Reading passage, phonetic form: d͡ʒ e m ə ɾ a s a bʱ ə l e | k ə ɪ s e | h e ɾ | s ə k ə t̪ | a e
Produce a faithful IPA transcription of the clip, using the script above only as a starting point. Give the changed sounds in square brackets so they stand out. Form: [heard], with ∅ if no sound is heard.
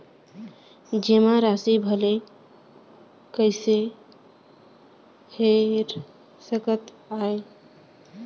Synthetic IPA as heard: d͡ʒ e m [a] ɾ a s [i] bʱ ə l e | k ə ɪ s e | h e ɾ | s ə k ə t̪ | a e